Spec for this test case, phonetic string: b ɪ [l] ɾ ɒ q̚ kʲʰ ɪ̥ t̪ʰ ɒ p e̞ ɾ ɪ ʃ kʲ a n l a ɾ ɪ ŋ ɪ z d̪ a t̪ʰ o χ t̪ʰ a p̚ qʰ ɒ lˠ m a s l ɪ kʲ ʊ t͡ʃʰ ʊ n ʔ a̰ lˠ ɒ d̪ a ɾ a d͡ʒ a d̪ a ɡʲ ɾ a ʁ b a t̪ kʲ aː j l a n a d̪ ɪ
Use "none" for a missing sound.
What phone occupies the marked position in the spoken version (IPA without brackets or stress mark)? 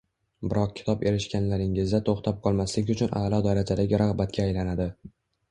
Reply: none